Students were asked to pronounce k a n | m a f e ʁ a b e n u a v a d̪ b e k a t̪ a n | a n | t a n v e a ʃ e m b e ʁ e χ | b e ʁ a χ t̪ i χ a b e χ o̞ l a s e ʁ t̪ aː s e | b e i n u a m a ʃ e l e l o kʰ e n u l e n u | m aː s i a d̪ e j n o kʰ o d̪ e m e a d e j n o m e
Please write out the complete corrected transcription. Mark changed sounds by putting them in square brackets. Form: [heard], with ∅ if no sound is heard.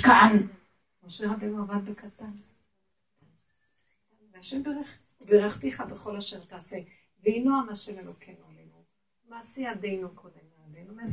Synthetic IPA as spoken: k a n | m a [ʃ] e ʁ a b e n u a v a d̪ b e k a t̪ a n | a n | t a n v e a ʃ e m b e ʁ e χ | b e ʁ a χ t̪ i χ a b e χ o̞ l a [ʃ] e ʁ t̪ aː s e | [v] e i n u a m a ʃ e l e l o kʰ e n [o] l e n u | m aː s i a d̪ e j n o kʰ o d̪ e m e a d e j n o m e